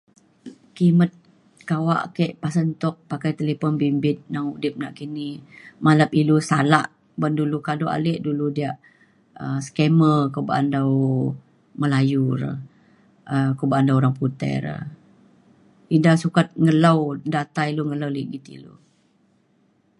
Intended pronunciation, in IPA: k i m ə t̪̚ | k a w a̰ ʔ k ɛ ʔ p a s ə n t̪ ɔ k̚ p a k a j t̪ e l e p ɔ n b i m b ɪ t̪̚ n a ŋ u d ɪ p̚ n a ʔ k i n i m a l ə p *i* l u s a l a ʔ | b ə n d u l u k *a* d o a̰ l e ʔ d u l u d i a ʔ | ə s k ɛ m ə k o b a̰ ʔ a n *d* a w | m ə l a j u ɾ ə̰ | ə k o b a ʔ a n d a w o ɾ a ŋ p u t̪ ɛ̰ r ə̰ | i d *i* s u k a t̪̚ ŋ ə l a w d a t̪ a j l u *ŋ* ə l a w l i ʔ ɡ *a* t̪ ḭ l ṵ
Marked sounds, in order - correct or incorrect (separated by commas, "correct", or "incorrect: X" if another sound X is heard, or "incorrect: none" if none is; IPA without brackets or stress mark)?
correct, correct, correct, incorrect: a, correct, incorrect: i